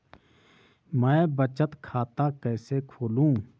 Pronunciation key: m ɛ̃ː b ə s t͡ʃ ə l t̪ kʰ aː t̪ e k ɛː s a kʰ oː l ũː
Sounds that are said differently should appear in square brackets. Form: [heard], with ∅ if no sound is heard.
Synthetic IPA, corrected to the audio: m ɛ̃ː b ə [∅] t͡ʃ ə [∅] t̪ kʰ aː t̪ [a] k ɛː s [e] kʰ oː l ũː